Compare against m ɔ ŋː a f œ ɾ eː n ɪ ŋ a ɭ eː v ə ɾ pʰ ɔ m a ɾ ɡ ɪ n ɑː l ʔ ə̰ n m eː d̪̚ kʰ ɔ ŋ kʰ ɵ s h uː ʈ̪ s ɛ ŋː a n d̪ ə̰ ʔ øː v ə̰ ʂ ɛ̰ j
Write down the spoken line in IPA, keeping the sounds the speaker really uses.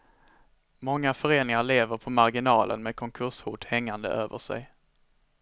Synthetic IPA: m ɔ ŋː a f œ ɾ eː n ɪ ŋ a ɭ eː v ə ɾ pʰ ɔ m a ɾ ɡ ɪ n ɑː l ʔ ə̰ n m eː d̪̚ kʰ ɔ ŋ kʰ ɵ ʂ h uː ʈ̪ h ɛ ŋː a n d̪ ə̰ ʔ øː v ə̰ ʂ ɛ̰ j